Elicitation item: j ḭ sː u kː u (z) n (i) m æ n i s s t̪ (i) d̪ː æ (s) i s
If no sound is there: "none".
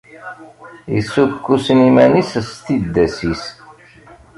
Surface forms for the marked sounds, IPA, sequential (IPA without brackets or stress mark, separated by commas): s, i, i, s